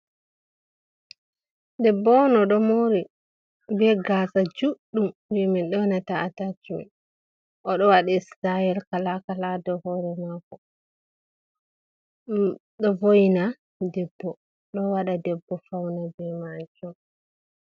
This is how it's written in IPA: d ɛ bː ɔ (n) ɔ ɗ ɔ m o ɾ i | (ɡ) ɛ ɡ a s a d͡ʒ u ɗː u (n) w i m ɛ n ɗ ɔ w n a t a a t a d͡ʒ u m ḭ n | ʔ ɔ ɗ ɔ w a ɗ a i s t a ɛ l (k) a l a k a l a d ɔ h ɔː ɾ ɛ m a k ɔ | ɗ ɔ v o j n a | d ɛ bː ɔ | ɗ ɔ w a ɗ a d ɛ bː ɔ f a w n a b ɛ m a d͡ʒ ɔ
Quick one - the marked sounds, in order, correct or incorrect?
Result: correct, incorrect, incorrect, correct

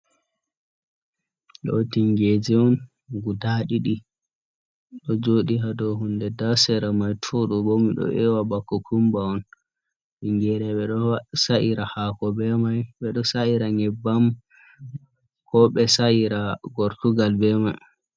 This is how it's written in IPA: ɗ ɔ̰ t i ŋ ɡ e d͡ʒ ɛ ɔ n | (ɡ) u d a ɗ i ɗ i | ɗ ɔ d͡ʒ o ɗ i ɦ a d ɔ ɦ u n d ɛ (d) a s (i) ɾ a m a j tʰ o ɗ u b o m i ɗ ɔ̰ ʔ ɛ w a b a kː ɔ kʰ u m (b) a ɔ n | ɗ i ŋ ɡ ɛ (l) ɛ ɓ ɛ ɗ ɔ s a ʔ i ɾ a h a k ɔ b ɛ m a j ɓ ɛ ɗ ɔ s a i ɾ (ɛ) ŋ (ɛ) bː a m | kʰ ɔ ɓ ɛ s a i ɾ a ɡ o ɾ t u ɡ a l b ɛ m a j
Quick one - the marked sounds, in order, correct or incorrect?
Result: correct, correct, incorrect, correct, incorrect, incorrect, correct

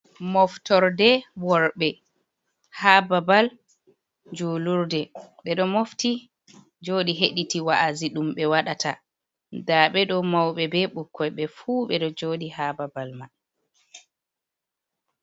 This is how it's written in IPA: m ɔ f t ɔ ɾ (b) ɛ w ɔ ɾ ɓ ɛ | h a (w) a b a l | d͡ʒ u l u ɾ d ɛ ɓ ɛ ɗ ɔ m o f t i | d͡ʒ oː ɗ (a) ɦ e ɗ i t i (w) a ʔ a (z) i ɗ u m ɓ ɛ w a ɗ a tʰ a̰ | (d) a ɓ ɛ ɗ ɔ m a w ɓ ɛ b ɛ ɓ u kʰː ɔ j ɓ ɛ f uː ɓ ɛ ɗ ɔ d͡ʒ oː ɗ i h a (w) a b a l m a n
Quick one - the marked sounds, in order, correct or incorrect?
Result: incorrect, incorrect, incorrect, correct, correct, correct, incorrect

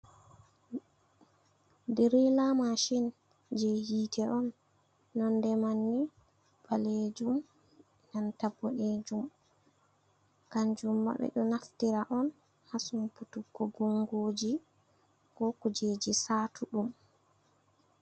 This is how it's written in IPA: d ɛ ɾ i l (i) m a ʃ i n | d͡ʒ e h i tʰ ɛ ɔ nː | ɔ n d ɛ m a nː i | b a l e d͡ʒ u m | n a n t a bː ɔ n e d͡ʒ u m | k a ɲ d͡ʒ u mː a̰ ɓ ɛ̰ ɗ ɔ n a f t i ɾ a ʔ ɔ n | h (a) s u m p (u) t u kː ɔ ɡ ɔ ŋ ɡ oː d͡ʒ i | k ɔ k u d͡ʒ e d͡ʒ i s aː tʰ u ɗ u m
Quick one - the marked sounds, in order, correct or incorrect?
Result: incorrect, correct, correct

